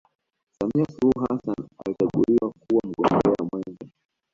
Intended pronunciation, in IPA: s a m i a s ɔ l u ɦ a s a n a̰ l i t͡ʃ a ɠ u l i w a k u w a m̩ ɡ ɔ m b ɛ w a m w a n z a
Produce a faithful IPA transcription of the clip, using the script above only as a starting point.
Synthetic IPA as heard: s a m i a s u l u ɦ a s a n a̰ l i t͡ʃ a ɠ u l i w a k u w a m̩ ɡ ɔ m b ɛ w a m w ɛ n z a